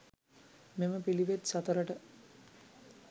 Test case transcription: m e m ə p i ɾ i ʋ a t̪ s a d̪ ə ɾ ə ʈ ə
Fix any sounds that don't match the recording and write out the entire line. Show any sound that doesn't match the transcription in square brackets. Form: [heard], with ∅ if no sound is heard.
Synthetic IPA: m e m ə p i [l] i ʋ [e] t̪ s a [t̪] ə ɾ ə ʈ ə